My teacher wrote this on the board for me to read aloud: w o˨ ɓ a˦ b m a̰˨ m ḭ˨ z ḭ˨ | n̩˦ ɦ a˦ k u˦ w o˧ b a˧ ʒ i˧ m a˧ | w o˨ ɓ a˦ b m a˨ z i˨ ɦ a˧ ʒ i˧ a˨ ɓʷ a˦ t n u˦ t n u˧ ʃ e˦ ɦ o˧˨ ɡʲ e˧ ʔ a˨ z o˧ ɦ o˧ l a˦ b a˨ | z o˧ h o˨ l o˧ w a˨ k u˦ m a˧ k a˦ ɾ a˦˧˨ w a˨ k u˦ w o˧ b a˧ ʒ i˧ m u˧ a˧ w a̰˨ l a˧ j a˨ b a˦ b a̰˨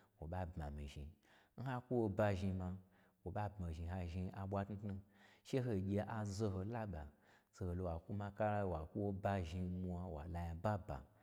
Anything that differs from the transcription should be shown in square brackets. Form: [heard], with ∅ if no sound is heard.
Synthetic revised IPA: w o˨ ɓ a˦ b m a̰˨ m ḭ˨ [ʒ] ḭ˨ | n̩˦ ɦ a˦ k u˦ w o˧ b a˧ ʒ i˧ m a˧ | w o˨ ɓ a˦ b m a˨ [ʒ] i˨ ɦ a˧ ʒ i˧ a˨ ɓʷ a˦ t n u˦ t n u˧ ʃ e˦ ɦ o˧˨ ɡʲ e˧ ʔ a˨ z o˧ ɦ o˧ l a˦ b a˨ | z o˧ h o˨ l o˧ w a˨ k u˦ m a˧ k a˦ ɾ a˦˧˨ w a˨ k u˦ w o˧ b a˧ ʒ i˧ m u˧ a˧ w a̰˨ l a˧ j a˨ b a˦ b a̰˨